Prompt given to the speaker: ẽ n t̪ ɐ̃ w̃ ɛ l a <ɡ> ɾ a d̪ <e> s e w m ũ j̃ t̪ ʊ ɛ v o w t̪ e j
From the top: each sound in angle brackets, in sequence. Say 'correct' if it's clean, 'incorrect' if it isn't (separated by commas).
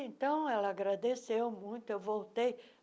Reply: correct, correct